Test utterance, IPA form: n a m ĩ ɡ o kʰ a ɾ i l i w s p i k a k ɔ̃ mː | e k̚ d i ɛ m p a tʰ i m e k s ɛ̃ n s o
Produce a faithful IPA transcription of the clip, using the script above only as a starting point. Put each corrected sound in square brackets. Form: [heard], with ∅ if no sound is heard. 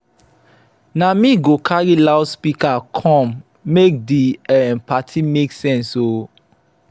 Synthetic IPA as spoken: n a m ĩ ɡ o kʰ a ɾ i l [a] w s p i k a [kʰ] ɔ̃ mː | e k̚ d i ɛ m p a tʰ i m e k s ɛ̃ n s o